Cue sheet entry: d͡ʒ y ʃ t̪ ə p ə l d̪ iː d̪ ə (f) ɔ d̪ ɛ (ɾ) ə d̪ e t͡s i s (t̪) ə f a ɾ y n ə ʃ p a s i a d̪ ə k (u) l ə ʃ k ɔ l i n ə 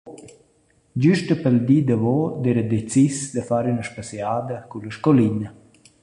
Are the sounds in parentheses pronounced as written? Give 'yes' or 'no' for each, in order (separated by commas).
no, yes, no, yes